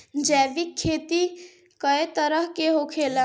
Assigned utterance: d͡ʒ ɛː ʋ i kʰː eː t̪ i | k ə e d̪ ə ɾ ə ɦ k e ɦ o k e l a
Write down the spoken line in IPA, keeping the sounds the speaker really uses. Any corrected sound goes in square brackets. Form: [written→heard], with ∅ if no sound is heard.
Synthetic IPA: d͡ʒ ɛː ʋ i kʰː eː t̪ i | k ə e [d̪→t̪] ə ɾ ə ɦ k e ɦ o [k→kʰ] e l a